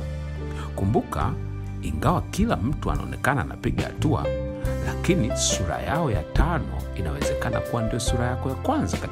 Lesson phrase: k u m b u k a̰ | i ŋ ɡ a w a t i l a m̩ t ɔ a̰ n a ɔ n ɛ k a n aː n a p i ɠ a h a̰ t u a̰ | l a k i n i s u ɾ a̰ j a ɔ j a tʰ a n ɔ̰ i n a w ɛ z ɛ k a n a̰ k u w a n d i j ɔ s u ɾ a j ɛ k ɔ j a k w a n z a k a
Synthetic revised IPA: k u m b u k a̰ | i ŋ ɡ a w a k i l a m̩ t u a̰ n a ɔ n ɛ k a n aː n a p i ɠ a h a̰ t u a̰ | l a k i n i s u ɾ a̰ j a ɔ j a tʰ a n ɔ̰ i n a w ɛ z ɛ k a n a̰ k u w a n d i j ɔ s u ɾ a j a k ɔ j a k w a n z a k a